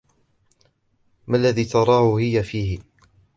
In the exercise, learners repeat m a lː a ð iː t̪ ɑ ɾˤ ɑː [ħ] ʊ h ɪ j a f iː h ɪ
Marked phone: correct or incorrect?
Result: incorrect